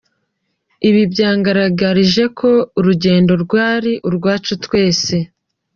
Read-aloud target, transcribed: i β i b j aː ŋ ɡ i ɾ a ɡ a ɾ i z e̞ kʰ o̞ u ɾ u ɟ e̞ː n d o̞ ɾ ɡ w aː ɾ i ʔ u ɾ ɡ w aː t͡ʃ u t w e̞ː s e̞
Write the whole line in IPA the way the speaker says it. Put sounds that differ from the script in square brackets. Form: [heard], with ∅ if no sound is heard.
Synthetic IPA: i β i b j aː ŋ ɡ [a] ɾ a ɡ a ɾ i [ʒ] e̞ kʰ o̞ u ɾ u ɟ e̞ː n d o̞ ɾ ɡ w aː ɾ i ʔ u ɾ ɡ w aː t͡ʃ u t w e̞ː s e̞